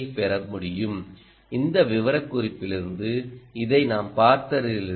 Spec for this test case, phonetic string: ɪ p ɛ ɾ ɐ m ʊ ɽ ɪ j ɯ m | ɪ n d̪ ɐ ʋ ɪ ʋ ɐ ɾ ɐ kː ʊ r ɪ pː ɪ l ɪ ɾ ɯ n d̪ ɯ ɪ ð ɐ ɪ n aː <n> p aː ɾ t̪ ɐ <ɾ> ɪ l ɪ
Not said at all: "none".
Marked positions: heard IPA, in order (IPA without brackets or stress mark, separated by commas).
m, ɾ